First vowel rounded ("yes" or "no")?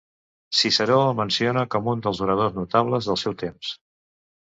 no